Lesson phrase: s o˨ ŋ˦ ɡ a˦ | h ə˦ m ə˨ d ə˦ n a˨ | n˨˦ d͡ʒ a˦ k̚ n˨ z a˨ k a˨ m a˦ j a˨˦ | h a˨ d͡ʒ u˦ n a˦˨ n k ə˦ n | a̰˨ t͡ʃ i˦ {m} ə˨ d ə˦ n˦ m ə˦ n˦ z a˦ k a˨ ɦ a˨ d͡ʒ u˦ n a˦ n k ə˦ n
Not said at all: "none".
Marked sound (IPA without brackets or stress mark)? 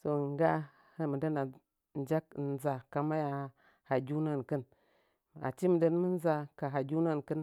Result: m